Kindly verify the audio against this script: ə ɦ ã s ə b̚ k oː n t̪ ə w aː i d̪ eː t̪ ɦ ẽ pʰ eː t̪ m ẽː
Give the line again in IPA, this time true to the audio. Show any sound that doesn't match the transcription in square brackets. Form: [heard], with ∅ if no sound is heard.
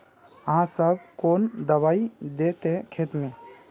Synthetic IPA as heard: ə ɦ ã s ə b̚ k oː n [d̪] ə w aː i d̪ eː t̪ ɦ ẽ [kʰ] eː t̪ m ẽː